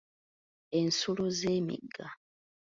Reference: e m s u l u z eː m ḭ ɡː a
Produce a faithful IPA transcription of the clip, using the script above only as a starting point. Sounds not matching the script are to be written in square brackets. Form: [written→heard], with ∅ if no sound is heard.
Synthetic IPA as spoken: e [m→n] s u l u z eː m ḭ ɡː a

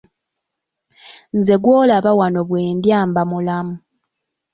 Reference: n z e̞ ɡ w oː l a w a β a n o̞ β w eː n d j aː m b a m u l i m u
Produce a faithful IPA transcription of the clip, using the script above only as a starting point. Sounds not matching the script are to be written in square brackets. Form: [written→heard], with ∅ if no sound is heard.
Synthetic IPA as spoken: n z e̞ ɡ w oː l a [w→β] a [β→w] a n o̞ β w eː n d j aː m b a m u l [i→a] m u

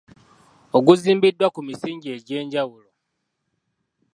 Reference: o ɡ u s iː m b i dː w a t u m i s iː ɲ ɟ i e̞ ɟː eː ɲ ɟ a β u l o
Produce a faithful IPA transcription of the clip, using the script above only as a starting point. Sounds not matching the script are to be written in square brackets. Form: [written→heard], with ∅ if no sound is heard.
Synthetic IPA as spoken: o ɡ u [s→z] iː m b i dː w a [t→k] u m i s iː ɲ ɟ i e̞ [ɟː→ɟ] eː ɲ ɟ a [β→w] u l o

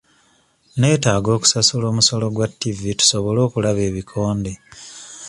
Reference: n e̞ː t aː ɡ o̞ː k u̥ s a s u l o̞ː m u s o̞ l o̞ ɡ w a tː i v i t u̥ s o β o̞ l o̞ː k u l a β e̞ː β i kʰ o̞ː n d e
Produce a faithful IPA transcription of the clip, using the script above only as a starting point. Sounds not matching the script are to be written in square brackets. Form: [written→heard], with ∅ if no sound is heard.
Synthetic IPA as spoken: n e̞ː t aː ɡ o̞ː k u̥ s a s u l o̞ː m u s o̞ l o̞ ɡ w a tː i v i t u̥ s o β o̞ l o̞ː k u l a β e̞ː β i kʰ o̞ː n d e

